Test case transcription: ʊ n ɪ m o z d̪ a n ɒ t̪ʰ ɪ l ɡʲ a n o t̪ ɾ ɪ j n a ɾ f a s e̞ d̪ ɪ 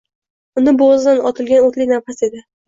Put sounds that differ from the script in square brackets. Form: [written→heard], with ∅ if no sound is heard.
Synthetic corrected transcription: ʊ n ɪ [m→b] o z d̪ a n ɒ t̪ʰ ɪ l ɡʲ a n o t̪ [ɾ→l] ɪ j n a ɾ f a s e̞ d̪ ɪ